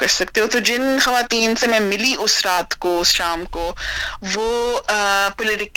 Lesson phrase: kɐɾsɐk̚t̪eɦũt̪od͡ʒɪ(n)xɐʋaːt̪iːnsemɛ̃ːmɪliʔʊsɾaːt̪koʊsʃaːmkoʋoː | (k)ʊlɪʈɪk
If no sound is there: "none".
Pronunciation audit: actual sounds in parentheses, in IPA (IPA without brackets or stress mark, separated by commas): n, p